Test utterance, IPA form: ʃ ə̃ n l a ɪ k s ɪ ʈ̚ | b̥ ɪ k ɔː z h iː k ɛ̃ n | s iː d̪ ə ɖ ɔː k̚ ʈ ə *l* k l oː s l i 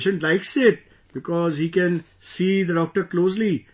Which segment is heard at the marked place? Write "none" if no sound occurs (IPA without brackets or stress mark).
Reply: ɾ